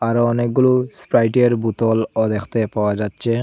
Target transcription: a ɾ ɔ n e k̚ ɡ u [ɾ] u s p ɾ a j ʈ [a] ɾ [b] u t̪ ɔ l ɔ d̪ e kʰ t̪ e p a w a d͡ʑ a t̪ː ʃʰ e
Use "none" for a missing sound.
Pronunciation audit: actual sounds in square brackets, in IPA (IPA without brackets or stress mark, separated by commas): l, e, b